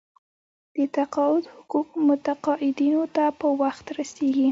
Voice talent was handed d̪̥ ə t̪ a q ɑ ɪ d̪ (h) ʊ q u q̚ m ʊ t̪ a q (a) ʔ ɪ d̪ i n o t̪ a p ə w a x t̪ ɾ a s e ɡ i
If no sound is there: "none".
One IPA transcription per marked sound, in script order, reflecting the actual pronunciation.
h, ɑ

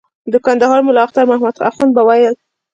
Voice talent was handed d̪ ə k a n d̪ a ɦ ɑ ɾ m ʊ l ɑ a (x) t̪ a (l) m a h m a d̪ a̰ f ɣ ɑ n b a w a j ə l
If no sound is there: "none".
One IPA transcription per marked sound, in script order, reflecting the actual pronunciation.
x, ɾ

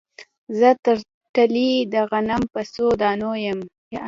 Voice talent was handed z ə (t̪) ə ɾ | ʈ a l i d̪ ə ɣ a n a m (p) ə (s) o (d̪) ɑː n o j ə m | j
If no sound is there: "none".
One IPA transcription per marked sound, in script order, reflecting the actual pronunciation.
t̪, p, s, d̪

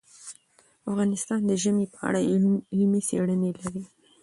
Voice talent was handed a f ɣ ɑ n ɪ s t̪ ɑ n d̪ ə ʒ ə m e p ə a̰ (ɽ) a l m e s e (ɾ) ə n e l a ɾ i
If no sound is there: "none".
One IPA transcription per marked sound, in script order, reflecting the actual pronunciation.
ɽ, ɽ

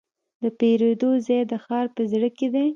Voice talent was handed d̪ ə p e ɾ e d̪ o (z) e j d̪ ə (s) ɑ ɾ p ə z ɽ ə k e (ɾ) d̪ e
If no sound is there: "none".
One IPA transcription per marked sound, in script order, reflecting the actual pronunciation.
z, x, none

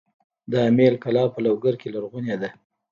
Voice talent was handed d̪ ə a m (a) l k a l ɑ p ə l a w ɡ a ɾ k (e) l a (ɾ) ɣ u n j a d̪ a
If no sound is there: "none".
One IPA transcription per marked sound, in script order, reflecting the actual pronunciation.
e, e, ɾ

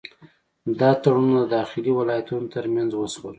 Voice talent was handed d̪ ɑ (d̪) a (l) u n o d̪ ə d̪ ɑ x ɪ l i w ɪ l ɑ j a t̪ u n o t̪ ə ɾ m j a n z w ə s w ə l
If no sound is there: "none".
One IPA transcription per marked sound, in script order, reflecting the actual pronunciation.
t̪, ɽ

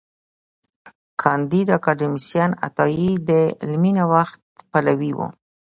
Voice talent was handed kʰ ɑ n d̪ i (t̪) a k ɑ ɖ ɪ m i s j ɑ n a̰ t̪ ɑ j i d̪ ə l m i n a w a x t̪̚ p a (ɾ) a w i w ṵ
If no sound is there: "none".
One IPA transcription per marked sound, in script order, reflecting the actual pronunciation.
d̪, l

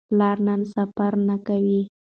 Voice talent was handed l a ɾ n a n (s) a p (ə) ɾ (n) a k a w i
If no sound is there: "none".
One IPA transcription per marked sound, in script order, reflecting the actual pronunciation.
s, a, n

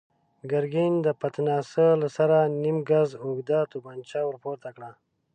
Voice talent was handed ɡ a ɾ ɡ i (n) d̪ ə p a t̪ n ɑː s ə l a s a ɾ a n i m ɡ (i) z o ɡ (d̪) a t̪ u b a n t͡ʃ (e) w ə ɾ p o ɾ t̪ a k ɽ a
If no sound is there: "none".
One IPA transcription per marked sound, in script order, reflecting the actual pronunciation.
n, a, d̪, a

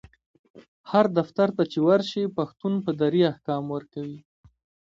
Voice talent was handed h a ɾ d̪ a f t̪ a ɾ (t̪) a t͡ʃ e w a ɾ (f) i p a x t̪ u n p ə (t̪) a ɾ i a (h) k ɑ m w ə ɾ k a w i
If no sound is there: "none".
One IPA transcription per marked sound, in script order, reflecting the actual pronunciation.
t̪, ʃ, d̪, h

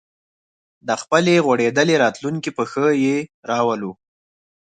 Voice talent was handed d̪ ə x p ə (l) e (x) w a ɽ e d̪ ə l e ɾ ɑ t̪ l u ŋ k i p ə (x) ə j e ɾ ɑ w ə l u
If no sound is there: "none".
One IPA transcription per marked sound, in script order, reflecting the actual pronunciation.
l, ɣ, x

